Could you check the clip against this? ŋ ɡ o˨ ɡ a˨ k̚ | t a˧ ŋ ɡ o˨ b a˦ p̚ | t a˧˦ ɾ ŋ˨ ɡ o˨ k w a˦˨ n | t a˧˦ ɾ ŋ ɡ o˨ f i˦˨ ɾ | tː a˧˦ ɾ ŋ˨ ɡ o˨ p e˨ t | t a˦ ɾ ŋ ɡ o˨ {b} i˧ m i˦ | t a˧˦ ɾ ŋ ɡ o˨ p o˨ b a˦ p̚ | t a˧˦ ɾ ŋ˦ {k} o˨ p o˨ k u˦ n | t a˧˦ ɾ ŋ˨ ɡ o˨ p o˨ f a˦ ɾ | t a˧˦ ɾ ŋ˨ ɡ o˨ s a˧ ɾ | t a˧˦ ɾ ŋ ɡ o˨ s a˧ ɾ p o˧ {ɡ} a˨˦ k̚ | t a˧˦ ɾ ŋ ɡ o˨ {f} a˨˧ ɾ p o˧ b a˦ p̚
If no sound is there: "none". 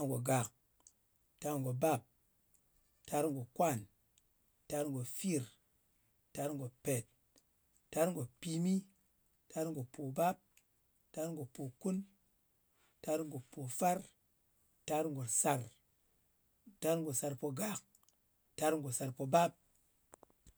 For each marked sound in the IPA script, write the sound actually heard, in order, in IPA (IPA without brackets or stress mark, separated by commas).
p, ɡ, ɡ, s